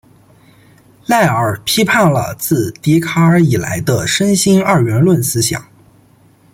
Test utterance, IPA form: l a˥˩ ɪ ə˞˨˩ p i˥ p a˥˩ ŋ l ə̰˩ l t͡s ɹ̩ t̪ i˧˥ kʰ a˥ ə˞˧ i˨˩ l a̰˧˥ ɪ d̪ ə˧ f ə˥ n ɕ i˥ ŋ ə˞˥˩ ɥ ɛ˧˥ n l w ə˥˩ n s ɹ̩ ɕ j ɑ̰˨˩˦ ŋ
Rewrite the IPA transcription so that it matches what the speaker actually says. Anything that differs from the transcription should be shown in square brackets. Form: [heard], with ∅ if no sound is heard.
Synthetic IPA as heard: l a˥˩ ɪ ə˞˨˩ [pʰ] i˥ [pʰ] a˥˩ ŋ l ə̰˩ [∅] t͡s ɹ̩ t̪ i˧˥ kʰ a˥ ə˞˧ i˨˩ l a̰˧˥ ɪ d̪ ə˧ [ʂ] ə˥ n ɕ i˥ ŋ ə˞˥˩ ɥ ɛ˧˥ n l w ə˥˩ n s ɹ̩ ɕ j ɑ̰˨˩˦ ŋ

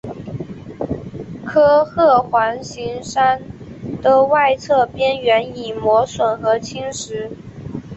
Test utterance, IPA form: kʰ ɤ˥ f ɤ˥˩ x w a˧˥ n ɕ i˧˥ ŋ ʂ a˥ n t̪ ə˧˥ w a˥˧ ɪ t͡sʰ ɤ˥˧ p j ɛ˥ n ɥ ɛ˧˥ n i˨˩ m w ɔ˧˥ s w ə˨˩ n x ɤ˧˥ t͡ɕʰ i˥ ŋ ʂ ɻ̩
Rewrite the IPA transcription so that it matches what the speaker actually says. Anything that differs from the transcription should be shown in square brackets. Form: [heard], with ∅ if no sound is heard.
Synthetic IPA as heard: kʰ ɤ˥ [x] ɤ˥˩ x w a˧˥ n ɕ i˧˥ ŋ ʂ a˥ n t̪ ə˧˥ w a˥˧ ɪ t͡sʰ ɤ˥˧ p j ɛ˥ n ɥ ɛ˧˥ n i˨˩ m w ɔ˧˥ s w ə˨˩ n x ɤ˧˥ t͡ɕʰ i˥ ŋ ʂ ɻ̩

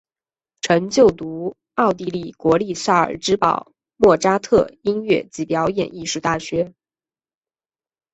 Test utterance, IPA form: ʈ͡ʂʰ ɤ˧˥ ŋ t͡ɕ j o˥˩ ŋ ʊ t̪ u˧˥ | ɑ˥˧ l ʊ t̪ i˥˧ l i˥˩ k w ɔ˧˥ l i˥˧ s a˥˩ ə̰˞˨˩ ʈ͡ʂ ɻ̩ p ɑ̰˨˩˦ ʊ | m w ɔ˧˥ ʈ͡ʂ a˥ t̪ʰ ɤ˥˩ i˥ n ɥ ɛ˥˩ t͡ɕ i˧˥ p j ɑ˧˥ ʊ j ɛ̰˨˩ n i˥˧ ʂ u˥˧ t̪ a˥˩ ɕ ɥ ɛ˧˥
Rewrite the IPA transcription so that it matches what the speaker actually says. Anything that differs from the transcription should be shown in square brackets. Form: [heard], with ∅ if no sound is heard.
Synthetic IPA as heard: ʈ͡ʂʰ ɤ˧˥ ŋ t͡ɕ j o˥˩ [∅] ʊ t̪ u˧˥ | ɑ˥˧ [∅] ʊ t̪ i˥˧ l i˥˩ k w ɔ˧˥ l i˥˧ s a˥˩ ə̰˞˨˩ ʈ͡ʂ ɻ̩ p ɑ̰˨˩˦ ʊ | m w [ɔ˥˩] ʈ͡ʂ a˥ t̪ʰ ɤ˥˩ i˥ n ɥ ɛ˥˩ t͡ɕ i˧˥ p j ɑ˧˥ ʊ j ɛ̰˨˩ n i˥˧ ʂ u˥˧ t̪ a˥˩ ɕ ɥ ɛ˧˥

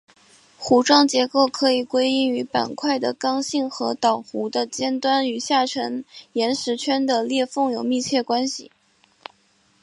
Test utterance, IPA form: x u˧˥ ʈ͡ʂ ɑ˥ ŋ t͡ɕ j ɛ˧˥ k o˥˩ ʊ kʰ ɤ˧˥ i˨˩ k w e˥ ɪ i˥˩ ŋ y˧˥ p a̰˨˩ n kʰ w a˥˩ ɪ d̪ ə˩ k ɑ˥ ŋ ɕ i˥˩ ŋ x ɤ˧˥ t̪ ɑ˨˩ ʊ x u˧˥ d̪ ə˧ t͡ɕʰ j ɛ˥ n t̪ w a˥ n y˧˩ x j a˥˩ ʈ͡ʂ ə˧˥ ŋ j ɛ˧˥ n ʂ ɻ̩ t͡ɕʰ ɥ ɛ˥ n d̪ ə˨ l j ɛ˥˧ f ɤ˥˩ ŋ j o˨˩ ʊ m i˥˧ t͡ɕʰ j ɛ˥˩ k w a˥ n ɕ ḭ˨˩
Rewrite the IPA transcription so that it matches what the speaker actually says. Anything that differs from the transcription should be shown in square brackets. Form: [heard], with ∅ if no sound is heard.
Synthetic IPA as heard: x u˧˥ ʈ͡ʂ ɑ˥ ŋ t͡ɕ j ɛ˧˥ k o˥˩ ʊ kʰ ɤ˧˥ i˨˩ k w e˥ ɪ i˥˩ ŋ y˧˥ p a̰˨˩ n kʰ w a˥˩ ɪ d̪ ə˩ k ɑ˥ ŋ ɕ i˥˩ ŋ x ɤ˧˥ t̪ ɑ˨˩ ʊ x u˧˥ d̪ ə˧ [t͡ɕ] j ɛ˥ n t̪ w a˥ n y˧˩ [ɕ] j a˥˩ [ʈ͡ʂʰ] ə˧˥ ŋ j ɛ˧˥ n ʂ ɻ̩ t͡ɕʰ ɥ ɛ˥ n d̪ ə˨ l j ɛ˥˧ f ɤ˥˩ ŋ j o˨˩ ʊ m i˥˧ t͡ɕʰ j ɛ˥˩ k w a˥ n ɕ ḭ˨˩

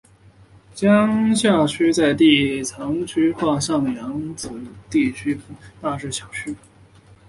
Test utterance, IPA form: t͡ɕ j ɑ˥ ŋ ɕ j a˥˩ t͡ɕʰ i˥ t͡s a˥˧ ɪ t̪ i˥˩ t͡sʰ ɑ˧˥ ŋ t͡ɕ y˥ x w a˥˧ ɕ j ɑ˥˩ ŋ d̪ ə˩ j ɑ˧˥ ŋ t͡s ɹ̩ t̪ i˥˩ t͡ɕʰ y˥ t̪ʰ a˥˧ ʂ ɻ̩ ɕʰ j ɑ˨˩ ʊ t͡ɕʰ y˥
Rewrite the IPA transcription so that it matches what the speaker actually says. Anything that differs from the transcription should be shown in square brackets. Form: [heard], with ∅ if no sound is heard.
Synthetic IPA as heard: t͡ɕ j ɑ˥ ŋ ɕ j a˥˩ t͡ɕʰ [y˥] t͡s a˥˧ ɪ t̪ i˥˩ t͡sʰ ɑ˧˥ ŋ [t͡ɕʰ] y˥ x w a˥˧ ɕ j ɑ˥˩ ŋ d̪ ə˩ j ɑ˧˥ ŋ t͡s ɹ̩ t̪ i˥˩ t͡ɕʰ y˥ [t̪] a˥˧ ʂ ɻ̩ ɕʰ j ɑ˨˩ ʊ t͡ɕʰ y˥

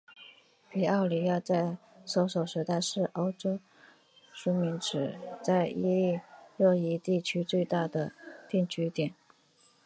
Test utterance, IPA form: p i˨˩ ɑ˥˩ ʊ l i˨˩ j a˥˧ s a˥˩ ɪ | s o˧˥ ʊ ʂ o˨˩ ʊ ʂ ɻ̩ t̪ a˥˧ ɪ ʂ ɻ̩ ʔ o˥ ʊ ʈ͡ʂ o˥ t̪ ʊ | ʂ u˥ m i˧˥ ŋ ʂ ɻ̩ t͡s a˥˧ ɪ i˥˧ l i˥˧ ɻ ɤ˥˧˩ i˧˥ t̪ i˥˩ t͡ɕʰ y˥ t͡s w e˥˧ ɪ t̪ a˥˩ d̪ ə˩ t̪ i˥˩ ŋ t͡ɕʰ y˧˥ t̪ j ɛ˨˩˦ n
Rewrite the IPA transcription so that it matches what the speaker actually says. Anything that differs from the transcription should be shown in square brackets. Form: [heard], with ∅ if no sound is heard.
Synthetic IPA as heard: p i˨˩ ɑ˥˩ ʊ l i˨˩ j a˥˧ [t͡s] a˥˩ ɪ | s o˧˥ ʊ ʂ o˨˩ ʊ ʂ ɻ̩ t̪ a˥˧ ɪ ʂ ɻ̩ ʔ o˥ ʊ ʈ͡ʂ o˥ [∅] ʊ | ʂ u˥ m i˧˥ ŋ [ʈ͡ʂ] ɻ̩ t͡s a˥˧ ɪ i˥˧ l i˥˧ ɻ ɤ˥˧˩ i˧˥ t̪ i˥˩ t͡ɕʰ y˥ t͡s w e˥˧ ɪ t̪ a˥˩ d̪ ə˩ t̪ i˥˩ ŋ t͡ɕʰ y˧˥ t̪ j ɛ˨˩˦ n

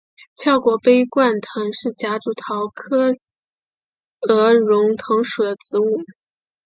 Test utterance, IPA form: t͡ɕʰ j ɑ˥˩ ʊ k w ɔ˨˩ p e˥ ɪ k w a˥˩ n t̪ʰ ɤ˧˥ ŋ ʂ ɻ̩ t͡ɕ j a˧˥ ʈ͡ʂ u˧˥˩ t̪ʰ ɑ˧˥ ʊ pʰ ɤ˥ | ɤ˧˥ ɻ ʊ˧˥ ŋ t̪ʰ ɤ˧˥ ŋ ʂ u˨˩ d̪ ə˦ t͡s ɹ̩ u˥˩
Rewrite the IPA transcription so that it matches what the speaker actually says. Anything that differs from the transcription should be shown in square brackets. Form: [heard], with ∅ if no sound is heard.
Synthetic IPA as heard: t͡ɕʰ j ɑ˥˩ ʊ k w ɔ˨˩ p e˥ ɪ k w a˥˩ n t̪ʰ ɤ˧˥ ŋ ʂ ɻ̩ t͡ɕ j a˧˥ ʈ͡ʂ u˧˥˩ t̪ʰ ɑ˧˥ ʊ [kʰ] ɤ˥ | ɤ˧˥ ɻ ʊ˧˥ ŋ t̪ʰ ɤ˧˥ ŋ ʂ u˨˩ d̪ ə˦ t͡s ɹ̩ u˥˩

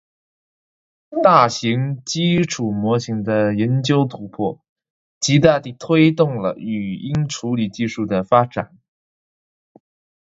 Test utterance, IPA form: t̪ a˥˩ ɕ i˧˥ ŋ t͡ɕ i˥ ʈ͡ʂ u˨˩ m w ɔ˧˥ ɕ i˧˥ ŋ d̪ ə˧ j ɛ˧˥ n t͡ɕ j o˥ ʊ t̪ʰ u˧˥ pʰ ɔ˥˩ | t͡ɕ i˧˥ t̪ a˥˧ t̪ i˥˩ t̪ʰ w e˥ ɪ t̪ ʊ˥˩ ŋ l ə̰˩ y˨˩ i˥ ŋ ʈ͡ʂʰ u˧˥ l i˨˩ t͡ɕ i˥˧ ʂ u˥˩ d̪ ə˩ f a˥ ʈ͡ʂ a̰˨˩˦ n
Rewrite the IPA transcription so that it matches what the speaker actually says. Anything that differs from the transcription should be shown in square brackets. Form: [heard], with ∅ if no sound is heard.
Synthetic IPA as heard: t̪ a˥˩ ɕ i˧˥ ŋ t͡ɕ i˥ [ʈ͡ʂʰ] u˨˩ m w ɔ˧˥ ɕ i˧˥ ŋ d̪ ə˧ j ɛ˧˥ n t͡ɕ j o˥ ʊ t̪ʰ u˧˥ pʰ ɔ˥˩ | t͡ɕ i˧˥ t̪ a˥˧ t̪ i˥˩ t̪ʰ w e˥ ɪ t̪ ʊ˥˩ ŋ l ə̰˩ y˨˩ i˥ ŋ ʈ͡ʂʰ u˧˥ l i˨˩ t͡ɕ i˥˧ ʂ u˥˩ d̪ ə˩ f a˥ ʈ͡ʂ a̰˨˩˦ n

